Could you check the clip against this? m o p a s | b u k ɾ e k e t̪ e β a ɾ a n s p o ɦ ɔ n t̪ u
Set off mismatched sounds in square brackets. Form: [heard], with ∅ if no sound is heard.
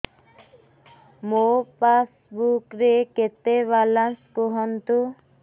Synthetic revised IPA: m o p a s | b u k ɾ e k e t̪ e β a [l] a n s [k] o ɦ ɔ n t̪ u